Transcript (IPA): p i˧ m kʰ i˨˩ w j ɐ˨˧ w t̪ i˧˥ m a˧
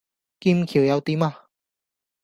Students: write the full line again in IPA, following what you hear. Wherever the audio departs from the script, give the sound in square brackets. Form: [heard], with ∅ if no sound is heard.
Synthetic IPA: [k] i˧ m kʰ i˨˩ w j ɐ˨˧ w t̪ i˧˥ m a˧